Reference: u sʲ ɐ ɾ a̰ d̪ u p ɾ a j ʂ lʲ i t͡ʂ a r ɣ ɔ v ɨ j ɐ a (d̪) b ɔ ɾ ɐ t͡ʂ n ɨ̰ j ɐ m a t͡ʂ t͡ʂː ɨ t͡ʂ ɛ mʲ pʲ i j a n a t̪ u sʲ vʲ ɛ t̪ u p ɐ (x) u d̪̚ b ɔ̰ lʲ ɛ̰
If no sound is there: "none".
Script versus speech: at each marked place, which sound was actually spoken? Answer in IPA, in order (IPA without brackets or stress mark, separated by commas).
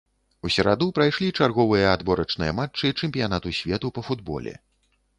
d̪, f